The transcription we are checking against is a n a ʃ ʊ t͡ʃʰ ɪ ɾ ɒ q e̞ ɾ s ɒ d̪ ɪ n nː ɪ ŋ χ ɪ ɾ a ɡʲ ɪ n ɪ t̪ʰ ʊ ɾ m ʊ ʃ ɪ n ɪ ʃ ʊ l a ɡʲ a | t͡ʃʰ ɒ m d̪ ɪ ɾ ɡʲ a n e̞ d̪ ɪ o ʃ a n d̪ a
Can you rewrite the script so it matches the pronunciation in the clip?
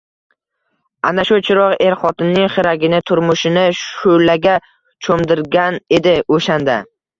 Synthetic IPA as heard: a n a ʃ ʊ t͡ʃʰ ɪ ɾ ɒ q e̞ ɾ χ ɒ t̪ ɪ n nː ɪ ŋ χ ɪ ɾ a ɡʲ ɪ n ɪ t̪ʰ ʊ ɾ m ʊ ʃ ɪ n ɪ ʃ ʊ l a ɡʲ a | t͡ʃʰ o m d̪ ɪ ɾ ɡʲ a n e̞ d̪ ɪ o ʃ a n d̪ a